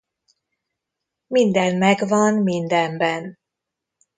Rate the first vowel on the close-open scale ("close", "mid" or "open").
close